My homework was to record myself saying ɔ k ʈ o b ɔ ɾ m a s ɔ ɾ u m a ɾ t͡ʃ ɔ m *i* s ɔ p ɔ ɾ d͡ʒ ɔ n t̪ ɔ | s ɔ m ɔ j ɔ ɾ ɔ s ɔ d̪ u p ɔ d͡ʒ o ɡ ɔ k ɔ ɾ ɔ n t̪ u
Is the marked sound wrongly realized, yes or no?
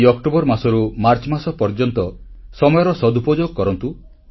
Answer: yes